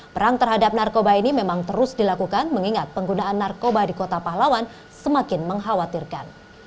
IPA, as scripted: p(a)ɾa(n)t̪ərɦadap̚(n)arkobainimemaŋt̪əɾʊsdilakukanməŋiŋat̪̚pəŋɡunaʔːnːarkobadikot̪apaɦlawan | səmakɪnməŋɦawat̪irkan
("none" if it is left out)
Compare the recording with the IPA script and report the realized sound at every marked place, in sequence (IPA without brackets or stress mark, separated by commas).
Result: ə, ŋ, n